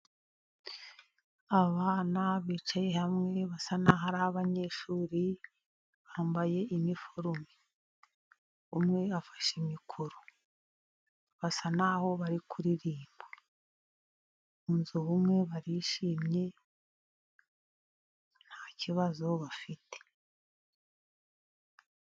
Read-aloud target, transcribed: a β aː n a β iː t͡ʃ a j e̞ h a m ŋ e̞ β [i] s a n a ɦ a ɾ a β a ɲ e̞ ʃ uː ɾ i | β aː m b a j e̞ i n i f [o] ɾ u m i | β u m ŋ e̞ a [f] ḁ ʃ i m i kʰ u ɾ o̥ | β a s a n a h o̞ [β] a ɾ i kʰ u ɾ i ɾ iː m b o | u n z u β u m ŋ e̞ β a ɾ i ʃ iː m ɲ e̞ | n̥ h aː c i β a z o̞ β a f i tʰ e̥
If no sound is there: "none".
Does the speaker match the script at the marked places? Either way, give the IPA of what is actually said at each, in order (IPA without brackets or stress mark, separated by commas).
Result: a, o, f, β